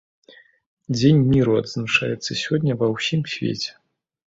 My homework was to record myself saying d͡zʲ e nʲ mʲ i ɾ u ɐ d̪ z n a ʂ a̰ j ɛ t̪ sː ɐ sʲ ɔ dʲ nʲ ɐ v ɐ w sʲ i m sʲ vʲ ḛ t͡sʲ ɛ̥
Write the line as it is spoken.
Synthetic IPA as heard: d͡zʲ e nʲ mʲ i ɾ u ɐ d̪ z n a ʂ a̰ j ɛ t̪ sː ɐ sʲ ɔ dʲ nʲ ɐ v ɐ w sʲ i m sʲ vʲ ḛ t͡sʲ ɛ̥